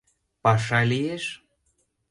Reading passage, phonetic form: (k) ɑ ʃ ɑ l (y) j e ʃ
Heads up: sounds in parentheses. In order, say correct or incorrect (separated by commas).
incorrect, incorrect